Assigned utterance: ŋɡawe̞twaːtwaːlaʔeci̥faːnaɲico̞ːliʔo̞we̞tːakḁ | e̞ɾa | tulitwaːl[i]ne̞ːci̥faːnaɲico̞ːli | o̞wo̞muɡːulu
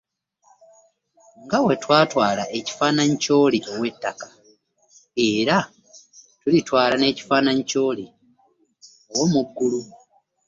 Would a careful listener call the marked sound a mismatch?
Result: yes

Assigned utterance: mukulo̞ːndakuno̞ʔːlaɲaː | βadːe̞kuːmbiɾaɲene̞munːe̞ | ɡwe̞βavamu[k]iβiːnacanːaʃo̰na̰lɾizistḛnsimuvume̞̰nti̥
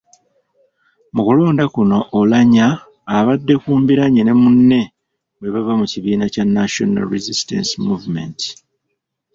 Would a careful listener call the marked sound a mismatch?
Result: yes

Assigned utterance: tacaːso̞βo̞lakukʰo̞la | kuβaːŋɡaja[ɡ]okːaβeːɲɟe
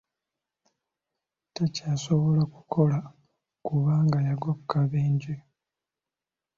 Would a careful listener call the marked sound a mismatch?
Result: no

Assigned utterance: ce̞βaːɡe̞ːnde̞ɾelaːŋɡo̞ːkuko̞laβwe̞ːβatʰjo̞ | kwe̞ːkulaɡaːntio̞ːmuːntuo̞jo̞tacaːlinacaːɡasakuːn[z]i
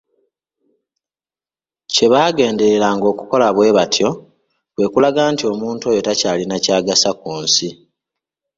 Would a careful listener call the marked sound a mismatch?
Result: yes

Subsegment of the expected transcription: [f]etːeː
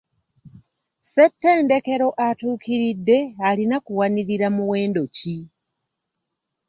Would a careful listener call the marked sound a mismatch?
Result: yes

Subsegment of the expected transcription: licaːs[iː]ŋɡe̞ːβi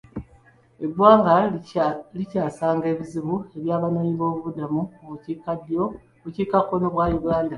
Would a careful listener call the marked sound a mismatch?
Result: yes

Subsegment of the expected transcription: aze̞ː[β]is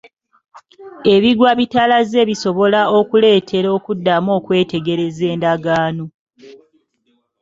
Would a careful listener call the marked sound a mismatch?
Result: no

